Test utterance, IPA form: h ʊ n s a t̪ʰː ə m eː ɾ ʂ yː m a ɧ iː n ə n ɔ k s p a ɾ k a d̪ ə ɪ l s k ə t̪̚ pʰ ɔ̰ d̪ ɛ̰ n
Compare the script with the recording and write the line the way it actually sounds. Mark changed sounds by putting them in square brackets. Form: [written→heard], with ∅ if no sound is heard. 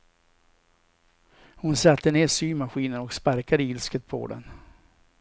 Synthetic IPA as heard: h ʊ n s a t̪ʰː ə [m→n] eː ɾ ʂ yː m a ɧ iː n ə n ɔ k s p a ɾ k a d̪ ə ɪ l s k ə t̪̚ pʰ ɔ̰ d̪ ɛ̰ n